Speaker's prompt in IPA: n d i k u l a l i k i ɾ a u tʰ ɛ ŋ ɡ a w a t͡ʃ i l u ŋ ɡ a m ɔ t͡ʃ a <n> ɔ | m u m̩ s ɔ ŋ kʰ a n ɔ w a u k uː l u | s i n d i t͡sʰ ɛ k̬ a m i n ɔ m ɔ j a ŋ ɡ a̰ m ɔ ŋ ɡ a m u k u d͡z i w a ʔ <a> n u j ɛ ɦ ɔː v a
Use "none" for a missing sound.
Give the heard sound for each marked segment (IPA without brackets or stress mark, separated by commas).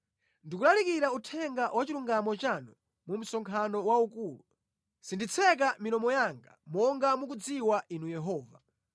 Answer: n, i